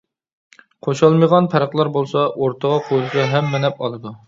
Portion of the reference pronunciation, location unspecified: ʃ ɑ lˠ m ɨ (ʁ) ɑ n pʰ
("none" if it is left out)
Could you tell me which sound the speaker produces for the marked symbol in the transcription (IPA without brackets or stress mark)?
ʁ